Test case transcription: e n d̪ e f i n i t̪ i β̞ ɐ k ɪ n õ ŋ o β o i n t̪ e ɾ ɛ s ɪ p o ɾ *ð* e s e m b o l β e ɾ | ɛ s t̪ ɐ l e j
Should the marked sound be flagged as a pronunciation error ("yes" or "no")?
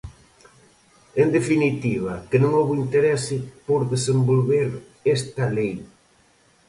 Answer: no